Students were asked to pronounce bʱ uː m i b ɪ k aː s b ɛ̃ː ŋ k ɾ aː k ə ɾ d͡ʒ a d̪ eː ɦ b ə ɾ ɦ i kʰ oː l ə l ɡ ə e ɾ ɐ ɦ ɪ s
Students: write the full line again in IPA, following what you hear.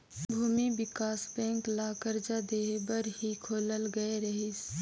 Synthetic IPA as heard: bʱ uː m i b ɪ k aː s b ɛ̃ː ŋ k l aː k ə ɾ d͡ʒ a d̪ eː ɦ b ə ɾ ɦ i kʰ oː l ə l ɡ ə e ɾ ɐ ɦ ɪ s